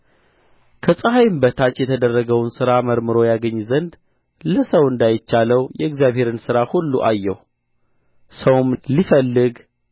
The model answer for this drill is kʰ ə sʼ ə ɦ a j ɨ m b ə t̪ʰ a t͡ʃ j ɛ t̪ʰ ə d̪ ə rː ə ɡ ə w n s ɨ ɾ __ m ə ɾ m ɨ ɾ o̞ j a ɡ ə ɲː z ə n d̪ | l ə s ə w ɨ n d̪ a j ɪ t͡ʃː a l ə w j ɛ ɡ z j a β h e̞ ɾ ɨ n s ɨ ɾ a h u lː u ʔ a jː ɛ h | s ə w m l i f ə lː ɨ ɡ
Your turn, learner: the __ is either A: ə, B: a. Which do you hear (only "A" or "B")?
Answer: B